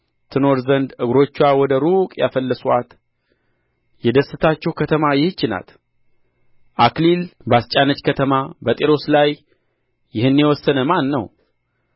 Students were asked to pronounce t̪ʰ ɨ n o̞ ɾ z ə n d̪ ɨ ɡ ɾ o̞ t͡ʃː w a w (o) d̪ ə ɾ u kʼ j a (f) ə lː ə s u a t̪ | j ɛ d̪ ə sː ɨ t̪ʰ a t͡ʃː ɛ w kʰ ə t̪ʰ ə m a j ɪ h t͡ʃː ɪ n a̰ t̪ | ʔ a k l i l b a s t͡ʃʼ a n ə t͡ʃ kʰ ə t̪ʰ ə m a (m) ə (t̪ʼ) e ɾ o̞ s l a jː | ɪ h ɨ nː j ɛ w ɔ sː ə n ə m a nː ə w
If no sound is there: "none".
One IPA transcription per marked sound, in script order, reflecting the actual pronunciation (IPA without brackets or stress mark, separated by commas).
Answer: ɔ, f, b, t̪ʼ